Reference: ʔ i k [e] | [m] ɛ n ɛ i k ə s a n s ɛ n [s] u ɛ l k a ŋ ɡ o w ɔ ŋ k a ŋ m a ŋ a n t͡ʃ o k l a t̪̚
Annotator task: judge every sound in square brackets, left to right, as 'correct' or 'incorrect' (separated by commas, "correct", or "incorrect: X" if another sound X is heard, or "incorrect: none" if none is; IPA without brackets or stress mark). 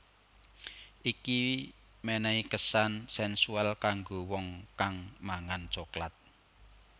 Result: incorrect: i, correct, correct